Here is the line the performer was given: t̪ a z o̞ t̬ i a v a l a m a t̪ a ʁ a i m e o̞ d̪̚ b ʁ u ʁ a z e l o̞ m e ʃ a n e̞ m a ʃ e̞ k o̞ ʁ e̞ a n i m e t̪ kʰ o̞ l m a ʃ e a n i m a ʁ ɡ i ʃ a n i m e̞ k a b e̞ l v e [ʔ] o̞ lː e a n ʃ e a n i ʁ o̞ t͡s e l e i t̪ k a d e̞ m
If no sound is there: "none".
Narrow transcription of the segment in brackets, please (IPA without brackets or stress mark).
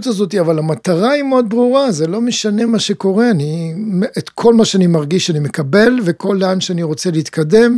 k